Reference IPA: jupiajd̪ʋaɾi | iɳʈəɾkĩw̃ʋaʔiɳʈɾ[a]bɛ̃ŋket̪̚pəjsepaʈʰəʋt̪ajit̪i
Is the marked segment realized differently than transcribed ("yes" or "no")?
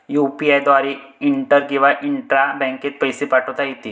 no